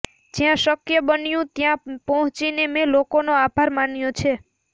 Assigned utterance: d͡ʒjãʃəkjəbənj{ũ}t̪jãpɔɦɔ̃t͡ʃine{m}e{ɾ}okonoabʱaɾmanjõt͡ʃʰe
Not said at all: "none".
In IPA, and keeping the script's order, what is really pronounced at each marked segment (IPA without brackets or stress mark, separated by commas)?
ũ, m, l